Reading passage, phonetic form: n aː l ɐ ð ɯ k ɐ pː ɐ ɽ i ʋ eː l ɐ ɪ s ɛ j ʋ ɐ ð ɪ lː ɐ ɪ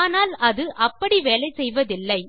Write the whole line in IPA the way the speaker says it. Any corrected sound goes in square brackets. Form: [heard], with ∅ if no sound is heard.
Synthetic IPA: n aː l ɐ ð ɯ [ʔ] ɐ pː ɐ ɽ i ʋ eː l ɐ ɪ s ɛ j ʋ ɐ ð ɪ lː ɐ ɪ